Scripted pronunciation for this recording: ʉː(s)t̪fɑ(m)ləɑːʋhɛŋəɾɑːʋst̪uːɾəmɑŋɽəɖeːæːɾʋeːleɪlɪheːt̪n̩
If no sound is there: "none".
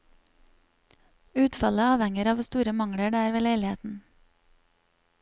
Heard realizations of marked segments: none, none

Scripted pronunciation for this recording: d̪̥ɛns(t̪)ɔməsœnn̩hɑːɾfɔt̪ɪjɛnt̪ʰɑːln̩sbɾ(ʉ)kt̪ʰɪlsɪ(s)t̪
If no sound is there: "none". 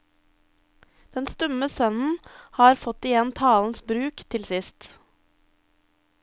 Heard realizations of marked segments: t̪, ʉː, s

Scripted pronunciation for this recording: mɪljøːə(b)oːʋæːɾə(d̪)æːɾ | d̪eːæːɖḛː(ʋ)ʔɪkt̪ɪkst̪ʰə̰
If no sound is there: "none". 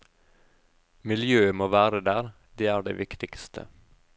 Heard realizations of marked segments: m, d̪, ʋ

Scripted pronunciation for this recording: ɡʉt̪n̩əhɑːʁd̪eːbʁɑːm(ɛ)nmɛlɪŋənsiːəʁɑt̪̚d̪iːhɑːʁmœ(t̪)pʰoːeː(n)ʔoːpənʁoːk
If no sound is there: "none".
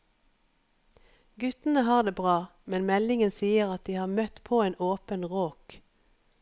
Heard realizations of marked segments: ɛ, t̪, n

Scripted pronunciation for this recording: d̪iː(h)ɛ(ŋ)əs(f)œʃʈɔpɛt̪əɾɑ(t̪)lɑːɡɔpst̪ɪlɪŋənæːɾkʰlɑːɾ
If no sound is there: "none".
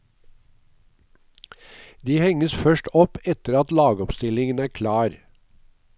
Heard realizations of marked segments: h, ŋ, f, t̪

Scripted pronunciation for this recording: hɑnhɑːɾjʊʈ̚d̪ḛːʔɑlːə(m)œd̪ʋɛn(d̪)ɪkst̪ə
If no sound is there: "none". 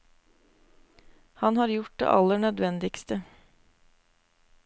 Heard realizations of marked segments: ɳ, d̪

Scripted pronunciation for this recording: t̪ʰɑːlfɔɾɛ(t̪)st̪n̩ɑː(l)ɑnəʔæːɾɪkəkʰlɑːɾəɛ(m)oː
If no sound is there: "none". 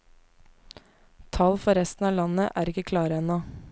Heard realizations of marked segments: none, l, n

